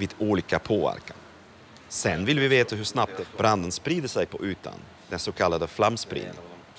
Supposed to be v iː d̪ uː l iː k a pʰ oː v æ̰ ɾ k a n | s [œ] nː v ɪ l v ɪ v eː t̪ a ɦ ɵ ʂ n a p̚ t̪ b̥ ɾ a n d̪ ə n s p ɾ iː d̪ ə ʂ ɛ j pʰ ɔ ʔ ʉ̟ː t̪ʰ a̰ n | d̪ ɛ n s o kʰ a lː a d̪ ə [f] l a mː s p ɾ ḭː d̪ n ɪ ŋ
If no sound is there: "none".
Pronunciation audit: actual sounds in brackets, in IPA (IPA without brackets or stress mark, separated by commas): ɛ, f